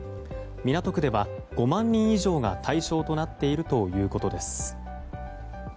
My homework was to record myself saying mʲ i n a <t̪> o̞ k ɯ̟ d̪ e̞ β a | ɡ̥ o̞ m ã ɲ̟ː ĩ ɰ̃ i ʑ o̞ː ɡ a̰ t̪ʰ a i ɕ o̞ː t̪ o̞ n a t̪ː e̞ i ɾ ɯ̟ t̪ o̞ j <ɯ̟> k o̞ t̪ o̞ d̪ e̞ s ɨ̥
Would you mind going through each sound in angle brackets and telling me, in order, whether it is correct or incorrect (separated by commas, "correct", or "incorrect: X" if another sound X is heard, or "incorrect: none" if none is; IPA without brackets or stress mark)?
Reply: correct, incorrect: ɯ̟ː